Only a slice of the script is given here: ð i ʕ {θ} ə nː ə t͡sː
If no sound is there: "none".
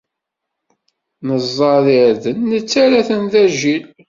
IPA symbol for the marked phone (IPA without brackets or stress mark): ð